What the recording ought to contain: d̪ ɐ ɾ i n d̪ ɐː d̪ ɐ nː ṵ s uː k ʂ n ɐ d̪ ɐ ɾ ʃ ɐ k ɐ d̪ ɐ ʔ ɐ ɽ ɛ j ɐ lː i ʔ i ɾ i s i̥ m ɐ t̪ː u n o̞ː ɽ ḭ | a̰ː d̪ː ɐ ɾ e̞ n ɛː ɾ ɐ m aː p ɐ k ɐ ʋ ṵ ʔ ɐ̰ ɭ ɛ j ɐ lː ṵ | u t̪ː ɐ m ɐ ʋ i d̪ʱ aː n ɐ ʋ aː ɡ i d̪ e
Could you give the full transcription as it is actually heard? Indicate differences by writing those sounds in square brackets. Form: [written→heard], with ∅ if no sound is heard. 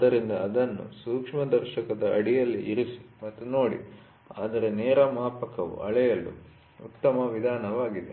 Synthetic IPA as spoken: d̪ ɐ ɾ i n d̪ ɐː d̪ ɐ nː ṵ s uː k ʂ [n→m] ɐ d̪ ɐ ɾ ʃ ɐ k ɐ d̪ ɐ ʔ ɐ ɽ [ɛ→i] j ɐ lː i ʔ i ɾ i s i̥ m ɐ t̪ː u n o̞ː ɽ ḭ | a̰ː [d̪ː→d̪] ɐ ɾ e̞ n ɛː ɾ ɐ m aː p ɐ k ɐ ʋ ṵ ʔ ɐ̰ ɭ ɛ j ɐ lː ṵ | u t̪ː ɐ m ɐ ʋ i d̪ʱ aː n ɐ ʋ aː ɡ i d̪ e